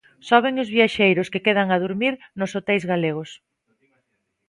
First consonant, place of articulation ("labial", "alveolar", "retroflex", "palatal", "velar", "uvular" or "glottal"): alveolar